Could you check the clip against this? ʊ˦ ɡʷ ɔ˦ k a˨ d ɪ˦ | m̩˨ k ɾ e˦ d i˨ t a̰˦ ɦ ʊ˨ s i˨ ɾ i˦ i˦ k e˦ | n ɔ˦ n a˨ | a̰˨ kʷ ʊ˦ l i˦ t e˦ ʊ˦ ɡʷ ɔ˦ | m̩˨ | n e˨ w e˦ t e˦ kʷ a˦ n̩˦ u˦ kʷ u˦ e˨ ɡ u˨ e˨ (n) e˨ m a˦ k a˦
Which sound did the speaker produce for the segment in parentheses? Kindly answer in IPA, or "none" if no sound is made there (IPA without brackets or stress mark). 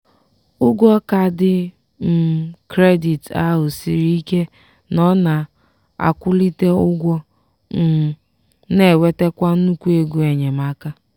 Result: ɲ